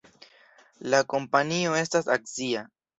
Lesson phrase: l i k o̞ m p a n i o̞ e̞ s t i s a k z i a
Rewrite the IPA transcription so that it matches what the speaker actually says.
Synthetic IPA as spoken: l a k o̞ m p a n i o̞ e̞ s t a s a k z i a